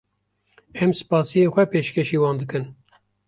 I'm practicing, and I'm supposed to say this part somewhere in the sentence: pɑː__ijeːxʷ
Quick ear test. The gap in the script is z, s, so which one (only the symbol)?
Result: s